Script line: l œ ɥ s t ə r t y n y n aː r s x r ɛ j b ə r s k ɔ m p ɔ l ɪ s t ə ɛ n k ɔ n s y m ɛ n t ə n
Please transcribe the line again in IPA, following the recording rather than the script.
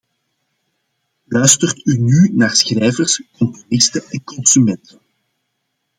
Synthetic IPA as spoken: l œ ɥ s t ə r t y n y n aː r s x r ɛ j v ə r s k ɔ m p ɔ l ɪ s t ə ɛ n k ɔ n s y m ɛ n t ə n